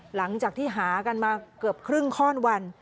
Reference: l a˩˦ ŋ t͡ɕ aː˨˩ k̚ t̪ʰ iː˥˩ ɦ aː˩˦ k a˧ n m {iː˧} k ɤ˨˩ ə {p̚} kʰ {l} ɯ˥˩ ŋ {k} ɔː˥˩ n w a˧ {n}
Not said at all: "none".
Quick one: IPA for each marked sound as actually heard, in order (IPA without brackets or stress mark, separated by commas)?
aː˧, p̚, ɾ, kʰ, n